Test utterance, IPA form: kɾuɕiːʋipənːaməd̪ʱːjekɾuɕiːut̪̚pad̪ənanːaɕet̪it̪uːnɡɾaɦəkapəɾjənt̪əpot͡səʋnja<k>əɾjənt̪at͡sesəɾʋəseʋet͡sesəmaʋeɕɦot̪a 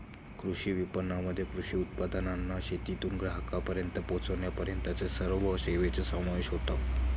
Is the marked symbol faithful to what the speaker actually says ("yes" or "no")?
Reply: no